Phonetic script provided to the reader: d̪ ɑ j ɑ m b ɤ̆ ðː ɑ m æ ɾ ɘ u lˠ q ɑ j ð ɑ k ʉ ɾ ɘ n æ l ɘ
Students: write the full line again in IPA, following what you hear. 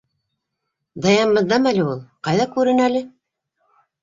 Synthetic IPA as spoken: d̪ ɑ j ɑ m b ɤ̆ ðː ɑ m æ l ɘ u lˠ q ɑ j ð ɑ k ʉ ɾ ɘ n æ l ɘ